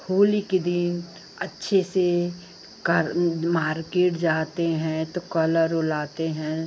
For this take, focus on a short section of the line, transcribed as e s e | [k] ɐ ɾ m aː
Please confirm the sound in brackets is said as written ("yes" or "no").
yes